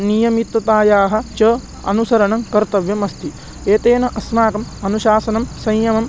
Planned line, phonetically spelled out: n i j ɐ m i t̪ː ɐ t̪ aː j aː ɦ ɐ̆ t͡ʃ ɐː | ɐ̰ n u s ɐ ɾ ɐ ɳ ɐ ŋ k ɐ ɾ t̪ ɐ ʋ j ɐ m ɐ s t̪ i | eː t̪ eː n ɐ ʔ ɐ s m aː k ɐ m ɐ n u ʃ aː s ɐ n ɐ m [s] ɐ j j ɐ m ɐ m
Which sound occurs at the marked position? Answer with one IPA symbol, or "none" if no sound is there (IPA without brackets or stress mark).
s